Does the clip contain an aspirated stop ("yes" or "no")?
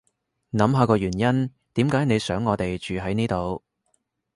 no